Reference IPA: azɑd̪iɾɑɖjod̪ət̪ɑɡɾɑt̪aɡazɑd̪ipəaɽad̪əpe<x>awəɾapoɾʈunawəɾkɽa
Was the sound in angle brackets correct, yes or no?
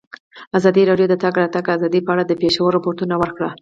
no